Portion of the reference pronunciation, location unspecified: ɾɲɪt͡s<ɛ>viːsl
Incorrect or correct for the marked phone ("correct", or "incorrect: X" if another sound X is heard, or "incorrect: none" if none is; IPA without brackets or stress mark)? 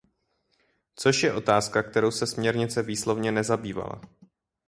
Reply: correct